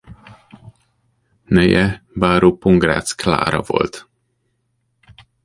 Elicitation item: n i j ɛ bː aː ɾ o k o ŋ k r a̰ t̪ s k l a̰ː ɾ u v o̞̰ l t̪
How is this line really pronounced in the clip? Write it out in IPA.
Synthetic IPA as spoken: n ɛ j ɛ b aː ɾ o p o ŋ ɡ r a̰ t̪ s k l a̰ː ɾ ɒ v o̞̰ l t̪